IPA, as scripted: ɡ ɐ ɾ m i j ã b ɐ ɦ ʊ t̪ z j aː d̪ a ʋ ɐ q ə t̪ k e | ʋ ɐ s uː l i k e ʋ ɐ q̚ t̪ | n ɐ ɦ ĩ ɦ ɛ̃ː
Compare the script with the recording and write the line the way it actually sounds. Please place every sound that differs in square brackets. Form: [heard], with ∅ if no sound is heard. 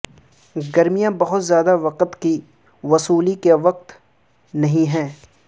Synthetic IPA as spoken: ɡ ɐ ɾ m i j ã b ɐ ɦ ʊ t̪ z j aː d̪ a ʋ ɐ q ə t̪ k [i] | ʋ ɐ s uː l i k e ʋ ɐ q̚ t̪ | n ɐ ɦ ĩ ɦ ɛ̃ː